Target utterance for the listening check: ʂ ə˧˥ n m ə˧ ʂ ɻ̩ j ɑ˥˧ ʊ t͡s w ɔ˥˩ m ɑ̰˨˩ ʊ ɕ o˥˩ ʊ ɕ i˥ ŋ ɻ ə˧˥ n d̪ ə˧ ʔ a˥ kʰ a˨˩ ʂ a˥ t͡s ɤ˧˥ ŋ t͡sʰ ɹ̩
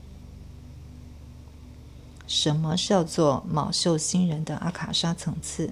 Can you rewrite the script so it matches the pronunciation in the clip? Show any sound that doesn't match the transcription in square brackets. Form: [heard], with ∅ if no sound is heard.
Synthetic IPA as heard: ʂ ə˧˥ n m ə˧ ʂ ɻ̩ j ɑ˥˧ ʊ t͡s w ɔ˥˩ m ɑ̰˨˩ ʊ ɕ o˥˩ ʊ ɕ i˥ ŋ ɻ ə˧˥ n d̪ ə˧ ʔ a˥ kʰ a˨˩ ʂ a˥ [t͡sʰ] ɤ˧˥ ŋ t͡sʰ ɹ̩